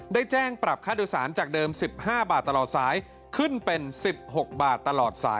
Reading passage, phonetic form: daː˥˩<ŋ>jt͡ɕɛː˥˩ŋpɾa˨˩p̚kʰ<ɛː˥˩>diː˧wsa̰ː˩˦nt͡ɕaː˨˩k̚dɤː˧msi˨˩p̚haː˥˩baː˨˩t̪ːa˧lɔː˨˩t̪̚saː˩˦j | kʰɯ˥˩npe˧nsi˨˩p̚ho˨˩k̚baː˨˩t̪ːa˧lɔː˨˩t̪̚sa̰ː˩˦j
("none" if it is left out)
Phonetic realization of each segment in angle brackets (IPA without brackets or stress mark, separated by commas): none, aː˥˩